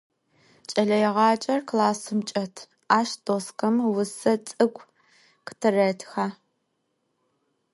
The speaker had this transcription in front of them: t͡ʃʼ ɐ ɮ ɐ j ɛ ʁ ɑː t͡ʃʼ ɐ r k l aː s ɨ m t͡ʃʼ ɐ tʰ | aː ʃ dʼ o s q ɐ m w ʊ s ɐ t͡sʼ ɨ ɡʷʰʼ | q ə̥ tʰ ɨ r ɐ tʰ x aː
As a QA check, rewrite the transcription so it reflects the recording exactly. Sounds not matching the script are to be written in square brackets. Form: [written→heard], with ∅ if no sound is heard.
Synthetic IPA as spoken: t͡ʃʼ ɐ ɮ ɐ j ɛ ʁ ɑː t͡ʃʼ ɐ r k l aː s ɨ m t͡ʃʼ ɐ tʰ | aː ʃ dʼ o s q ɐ m w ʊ s ɐ t͡sʼ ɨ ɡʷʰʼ | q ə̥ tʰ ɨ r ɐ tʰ x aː